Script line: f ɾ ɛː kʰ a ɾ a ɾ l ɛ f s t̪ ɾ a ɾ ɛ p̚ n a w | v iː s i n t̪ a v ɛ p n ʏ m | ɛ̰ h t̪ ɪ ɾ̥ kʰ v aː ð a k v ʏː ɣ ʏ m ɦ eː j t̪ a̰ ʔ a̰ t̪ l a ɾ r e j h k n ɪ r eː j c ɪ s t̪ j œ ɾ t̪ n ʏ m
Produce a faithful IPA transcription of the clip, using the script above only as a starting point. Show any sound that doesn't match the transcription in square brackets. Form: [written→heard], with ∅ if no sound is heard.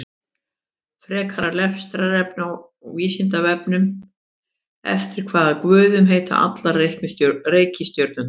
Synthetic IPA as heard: f ɾ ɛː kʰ a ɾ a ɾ l ɛ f s t̪ ɾ a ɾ ɛ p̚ n a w | v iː s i n t̪ a v ɛ p n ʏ m | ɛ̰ [h→f] t̪ ɪ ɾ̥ kʰ v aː ð a k v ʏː [ɣ→ð] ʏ m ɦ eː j t̪ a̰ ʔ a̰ t̪ l a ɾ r e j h k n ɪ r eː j c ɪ s t̪ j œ ɾ t̪ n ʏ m